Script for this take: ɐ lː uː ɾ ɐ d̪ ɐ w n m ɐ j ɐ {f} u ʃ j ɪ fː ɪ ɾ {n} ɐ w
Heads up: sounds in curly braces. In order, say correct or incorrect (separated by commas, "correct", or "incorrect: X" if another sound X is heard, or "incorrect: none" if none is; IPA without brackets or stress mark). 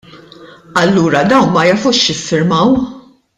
correct, incorrect: m